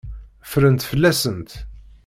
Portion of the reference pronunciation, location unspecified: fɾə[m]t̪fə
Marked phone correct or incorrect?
incorrect